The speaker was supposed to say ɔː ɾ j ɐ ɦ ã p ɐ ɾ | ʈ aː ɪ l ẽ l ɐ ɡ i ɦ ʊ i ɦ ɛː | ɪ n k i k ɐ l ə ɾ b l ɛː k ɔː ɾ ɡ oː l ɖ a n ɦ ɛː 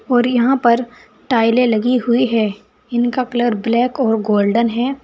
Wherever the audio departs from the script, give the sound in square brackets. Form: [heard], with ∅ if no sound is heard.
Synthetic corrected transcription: ɔː ɾ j ɐ ɦ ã p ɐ ɾ | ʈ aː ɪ l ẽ l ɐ ɡ i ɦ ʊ i ɦ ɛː | ɪ n k [a] k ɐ l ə ɾ b l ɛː k ɔː ɾ ɡ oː l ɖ [ə] n ɦ ɛː